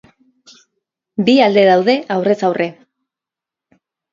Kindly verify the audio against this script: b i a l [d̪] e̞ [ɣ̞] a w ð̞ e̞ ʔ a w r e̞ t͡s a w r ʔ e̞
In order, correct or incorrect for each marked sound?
correct, incorrect: ð̞

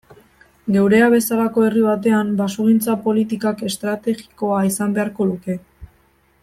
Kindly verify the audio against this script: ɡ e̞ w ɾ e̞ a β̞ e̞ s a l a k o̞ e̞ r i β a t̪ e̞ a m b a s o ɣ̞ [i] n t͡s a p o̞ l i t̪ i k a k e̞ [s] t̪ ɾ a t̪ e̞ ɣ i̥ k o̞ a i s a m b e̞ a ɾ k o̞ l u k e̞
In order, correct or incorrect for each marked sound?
correct, correct

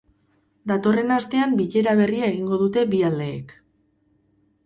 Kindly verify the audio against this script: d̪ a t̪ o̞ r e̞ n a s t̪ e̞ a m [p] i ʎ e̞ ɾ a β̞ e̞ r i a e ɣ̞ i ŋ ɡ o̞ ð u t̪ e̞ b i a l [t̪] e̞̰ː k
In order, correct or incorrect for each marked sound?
incorrect: b, incorrect: d̪

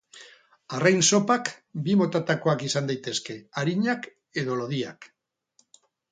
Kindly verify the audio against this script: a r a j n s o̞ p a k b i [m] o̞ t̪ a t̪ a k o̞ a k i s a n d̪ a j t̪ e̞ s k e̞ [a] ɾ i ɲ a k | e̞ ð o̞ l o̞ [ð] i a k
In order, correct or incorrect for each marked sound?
correct, correct, correct

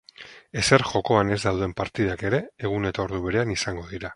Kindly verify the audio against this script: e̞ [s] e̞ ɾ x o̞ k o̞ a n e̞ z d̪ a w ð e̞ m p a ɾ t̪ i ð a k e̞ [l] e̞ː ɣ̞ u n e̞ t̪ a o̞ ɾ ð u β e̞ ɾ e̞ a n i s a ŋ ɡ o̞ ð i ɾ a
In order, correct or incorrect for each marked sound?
correct, incorrect: ɾ

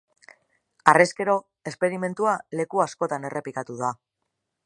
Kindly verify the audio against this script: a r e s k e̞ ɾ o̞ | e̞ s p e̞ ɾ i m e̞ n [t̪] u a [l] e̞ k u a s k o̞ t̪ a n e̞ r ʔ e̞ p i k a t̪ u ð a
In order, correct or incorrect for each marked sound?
correct, correct

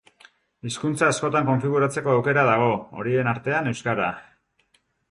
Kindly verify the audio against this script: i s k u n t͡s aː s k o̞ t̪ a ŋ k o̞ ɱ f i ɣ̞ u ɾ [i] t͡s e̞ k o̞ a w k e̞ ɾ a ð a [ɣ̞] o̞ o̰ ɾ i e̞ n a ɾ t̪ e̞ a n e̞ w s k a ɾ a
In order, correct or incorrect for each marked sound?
incorrect: a, correct

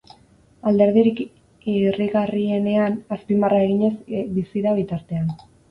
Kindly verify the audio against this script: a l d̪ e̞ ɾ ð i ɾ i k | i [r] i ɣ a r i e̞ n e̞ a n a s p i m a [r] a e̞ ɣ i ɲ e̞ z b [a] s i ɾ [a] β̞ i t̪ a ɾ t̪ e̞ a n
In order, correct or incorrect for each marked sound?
correct, correct, incorrect: i, correct

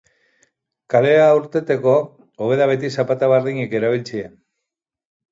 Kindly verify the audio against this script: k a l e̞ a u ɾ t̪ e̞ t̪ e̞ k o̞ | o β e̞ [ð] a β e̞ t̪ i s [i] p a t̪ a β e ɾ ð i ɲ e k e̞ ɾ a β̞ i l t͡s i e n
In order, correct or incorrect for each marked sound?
correct, incorrect: a

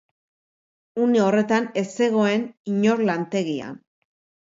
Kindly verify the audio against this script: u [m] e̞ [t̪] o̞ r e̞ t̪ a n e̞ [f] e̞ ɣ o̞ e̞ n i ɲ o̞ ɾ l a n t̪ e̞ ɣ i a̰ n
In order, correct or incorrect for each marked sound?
incorrect: n, incorrect: none, incorrect: s

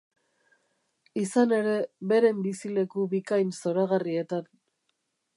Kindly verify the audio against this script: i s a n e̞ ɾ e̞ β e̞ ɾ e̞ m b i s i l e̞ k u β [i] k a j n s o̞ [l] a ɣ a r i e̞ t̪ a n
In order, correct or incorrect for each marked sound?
correct, incorrect: ɾ

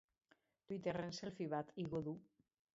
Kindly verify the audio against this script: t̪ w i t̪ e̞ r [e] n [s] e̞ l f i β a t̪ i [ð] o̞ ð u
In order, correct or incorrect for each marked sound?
correct, correct, incorrect: ɣ

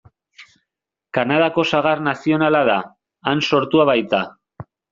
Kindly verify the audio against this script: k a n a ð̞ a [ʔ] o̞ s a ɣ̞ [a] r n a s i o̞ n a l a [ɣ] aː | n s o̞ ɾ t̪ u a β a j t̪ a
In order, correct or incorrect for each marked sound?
incorrect: k, correct, incorrect: ð

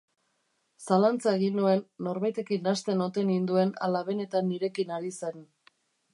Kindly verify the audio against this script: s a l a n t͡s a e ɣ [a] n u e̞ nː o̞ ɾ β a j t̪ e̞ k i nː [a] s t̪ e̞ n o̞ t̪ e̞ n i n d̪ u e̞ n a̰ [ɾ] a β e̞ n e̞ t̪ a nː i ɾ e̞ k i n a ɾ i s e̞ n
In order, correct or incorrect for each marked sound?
incorrect: i, correct, incorrect: l

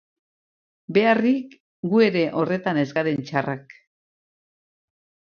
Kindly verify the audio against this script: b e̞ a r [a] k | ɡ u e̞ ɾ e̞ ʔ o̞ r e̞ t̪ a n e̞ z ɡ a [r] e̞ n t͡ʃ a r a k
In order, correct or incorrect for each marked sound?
incorrect: i, incorrect: ɾ

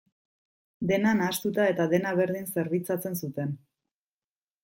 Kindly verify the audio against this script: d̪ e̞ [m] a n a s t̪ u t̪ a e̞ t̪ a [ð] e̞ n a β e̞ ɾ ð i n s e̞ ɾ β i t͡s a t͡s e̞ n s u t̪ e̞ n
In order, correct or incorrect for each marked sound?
incorrect: n, correct

